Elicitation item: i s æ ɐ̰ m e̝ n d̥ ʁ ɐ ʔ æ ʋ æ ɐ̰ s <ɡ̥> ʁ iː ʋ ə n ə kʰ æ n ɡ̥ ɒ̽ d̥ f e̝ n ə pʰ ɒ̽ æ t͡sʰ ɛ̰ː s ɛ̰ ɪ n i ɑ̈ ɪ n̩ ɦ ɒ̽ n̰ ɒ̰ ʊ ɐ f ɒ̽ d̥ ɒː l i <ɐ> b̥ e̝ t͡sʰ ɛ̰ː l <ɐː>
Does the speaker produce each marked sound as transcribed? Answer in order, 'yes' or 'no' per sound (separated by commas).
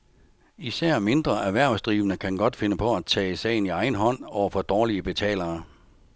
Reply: no, no, yes